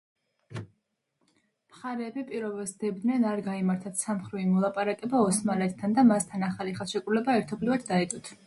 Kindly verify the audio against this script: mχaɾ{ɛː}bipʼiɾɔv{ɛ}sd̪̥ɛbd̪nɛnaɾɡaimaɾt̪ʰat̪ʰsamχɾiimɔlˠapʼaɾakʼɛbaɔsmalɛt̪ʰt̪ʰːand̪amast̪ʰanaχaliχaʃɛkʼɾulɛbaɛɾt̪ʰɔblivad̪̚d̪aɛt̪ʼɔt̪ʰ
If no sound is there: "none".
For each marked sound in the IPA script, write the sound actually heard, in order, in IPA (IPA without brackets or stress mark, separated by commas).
ɛː, ɛ